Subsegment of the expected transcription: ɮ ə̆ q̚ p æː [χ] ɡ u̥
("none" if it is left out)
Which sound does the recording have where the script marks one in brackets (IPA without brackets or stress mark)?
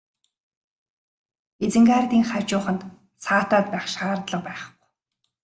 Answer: χ